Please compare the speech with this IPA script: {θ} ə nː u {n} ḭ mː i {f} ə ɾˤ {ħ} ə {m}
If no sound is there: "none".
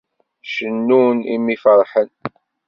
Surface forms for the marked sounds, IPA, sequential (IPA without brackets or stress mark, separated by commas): ʃ, n, f, ħ, n